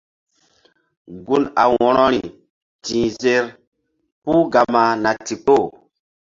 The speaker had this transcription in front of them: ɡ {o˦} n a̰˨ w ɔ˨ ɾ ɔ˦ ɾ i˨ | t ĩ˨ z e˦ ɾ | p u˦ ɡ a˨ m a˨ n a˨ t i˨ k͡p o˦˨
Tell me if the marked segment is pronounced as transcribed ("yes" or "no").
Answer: no